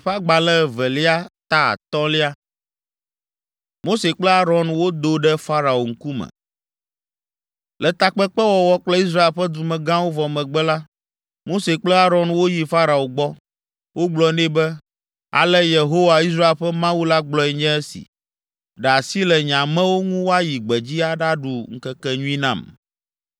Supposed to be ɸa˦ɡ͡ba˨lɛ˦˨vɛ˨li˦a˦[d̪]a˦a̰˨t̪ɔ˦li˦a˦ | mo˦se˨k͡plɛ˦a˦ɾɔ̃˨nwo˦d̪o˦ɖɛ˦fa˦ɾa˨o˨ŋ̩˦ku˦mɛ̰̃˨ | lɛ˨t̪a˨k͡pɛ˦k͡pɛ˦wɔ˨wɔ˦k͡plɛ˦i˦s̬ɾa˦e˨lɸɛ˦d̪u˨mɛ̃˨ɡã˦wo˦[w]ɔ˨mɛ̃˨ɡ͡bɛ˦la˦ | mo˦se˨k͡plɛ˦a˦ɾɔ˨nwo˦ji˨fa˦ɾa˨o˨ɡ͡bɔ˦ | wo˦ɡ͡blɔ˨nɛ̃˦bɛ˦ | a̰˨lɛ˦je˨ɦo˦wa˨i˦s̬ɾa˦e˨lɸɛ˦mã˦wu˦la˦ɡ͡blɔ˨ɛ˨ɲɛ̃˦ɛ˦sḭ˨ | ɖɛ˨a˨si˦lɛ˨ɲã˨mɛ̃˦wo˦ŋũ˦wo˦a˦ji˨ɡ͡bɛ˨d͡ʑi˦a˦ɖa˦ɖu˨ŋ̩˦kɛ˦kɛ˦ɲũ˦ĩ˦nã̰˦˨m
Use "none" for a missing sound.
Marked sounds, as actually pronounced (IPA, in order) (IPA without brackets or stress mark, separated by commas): t̪, v